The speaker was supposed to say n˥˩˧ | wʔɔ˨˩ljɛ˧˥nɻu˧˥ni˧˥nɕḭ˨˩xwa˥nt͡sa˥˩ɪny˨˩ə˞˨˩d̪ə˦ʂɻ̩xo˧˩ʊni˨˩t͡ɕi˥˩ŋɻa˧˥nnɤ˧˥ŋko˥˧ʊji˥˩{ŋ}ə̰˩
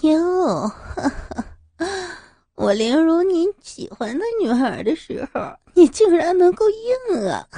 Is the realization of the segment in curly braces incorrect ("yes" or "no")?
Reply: no